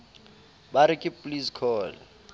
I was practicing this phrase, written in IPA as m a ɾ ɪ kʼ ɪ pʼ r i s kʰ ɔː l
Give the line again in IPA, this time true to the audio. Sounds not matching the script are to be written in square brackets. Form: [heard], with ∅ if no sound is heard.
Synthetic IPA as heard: [b] a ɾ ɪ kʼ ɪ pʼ [l] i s kʰ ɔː l